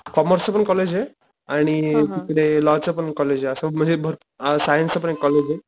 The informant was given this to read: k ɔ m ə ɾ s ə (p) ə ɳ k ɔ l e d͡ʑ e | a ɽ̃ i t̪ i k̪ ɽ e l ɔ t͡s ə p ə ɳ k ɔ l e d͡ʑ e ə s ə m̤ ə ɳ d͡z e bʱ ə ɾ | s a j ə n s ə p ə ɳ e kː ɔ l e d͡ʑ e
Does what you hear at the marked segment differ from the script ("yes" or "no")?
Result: no